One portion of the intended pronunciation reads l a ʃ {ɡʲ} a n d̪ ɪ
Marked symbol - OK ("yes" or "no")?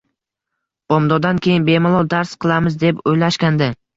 no